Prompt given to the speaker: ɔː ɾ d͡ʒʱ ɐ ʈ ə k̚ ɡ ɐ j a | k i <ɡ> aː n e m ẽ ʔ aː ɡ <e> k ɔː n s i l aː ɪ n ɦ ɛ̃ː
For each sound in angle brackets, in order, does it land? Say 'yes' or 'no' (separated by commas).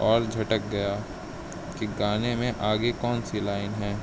yes, yes